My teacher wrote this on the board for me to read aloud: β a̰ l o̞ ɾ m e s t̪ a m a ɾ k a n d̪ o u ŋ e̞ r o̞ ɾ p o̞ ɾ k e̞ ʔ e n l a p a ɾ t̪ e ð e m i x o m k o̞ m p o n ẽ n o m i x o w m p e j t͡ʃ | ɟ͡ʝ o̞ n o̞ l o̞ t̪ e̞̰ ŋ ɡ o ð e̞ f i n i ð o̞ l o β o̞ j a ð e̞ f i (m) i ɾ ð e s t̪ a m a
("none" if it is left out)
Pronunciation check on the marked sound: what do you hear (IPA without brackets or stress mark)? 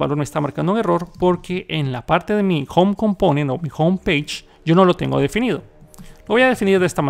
n